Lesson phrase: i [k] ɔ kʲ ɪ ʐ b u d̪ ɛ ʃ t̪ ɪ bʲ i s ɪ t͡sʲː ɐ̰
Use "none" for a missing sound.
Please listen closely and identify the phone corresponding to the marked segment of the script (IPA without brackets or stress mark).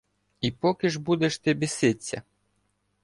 p